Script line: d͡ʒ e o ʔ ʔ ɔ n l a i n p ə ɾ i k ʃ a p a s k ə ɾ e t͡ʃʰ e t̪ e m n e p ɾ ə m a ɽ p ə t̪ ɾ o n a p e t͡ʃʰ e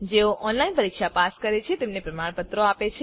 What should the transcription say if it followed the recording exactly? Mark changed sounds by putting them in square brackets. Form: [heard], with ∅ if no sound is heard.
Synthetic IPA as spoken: d͡ʒ e o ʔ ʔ ɔ n l a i n p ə ɾ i k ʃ a p a s k ə ɾ e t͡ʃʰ e t̪ e m n e p ɾ ə m a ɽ p ə t̪ ɾ o [∅] a p e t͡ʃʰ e